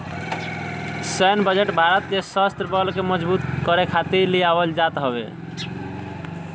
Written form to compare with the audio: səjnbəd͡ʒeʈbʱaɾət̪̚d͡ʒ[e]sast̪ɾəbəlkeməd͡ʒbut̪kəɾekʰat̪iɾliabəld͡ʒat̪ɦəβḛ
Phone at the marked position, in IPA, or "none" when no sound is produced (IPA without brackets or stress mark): e